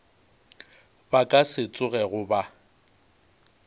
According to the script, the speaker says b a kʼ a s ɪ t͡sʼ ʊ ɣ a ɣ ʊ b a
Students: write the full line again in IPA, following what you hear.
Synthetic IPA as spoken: b a kʼ a s ɪ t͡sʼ ʊ ɣ ɛ ɣ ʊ b a